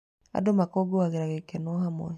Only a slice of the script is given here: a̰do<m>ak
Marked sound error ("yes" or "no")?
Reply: no